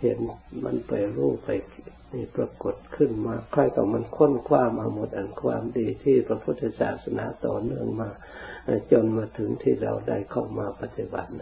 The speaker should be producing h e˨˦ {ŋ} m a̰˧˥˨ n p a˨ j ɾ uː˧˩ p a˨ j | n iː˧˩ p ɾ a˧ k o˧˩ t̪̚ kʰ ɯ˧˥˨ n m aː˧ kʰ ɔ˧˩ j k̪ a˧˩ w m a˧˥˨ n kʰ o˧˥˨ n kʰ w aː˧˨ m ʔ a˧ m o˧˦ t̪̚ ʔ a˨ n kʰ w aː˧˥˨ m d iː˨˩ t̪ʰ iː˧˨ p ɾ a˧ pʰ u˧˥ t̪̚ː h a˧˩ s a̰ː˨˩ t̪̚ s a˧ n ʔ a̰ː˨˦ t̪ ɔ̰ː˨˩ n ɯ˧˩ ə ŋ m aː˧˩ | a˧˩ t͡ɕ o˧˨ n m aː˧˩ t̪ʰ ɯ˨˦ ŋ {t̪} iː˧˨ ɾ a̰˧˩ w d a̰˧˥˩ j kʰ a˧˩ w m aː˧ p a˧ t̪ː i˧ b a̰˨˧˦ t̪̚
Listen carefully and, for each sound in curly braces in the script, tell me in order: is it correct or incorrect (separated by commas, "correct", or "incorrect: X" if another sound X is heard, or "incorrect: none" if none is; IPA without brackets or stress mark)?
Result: incorrect: n, incorrect: t̪ʰ